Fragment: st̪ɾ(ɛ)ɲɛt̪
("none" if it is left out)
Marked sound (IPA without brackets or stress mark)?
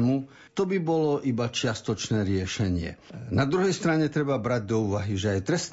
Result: a